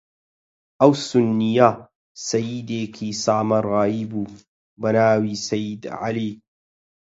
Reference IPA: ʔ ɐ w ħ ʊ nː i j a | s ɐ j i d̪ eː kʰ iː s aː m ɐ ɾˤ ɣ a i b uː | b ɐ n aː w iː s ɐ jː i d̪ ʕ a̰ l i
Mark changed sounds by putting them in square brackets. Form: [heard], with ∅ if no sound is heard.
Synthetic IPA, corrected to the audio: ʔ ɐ w [s] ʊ nː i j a | s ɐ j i d̪ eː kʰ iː s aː m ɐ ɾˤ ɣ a i b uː | b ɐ n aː w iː s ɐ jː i d̪ ʕ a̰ l i